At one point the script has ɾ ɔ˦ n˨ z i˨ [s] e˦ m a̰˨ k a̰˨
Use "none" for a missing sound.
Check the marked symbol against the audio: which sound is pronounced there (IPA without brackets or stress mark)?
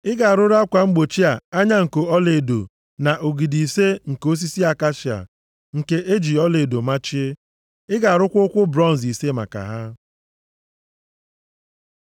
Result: s